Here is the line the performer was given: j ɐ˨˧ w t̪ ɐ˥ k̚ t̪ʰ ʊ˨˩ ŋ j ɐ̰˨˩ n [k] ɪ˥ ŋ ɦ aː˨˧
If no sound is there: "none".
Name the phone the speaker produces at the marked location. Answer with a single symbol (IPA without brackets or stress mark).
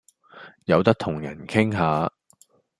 kʰ